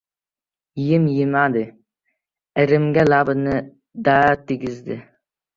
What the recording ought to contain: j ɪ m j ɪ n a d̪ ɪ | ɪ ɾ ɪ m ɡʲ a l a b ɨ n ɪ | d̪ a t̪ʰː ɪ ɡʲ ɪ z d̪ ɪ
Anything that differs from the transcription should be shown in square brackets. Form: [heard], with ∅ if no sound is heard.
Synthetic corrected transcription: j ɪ m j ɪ [m] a d̪ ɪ | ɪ ɾ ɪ m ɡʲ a l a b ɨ n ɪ | d̪ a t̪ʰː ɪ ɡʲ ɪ z d̪ ɪ